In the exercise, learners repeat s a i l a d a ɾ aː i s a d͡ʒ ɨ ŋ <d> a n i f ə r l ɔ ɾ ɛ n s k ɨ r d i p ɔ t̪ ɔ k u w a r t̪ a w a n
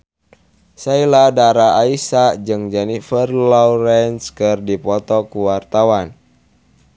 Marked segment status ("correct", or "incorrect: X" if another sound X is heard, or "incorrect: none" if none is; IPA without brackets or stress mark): incorrect: d͡ʒ